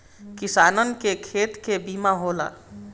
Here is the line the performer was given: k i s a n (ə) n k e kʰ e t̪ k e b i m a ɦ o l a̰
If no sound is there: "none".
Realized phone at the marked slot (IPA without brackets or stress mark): ə